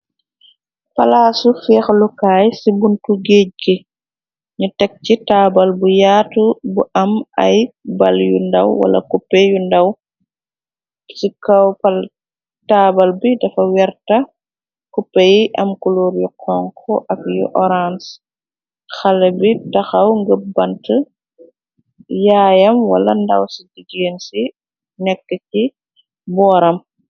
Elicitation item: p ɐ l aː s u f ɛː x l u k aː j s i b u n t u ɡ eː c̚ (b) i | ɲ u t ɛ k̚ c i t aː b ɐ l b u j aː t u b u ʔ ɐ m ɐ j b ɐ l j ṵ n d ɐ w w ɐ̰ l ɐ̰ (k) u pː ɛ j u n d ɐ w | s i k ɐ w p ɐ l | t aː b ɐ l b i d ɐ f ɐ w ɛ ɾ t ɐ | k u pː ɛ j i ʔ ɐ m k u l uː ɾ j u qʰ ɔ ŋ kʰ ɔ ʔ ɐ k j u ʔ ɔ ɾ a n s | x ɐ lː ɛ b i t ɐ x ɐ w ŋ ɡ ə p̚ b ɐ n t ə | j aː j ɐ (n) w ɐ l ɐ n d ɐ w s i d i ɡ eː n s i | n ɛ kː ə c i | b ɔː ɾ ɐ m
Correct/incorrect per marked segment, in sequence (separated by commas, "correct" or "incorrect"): incorrect, correct, incorrect